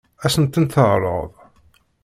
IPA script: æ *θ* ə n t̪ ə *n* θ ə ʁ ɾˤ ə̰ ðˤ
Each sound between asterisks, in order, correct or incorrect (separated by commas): incorrect, correct